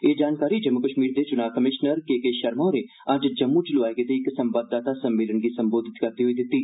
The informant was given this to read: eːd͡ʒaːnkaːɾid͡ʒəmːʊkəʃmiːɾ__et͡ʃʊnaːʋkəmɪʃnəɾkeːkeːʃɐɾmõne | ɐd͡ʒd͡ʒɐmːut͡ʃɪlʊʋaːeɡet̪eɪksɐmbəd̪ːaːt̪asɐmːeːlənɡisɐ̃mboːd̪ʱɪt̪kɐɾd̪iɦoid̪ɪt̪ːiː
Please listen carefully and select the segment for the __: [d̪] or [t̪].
d̪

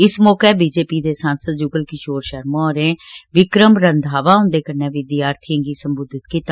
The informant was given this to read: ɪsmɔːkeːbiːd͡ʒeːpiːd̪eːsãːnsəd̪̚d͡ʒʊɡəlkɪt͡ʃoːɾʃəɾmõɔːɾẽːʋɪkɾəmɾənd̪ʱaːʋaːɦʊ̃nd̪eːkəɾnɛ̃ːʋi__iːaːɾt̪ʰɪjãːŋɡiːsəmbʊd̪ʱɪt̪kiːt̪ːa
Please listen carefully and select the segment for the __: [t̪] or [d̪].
d̪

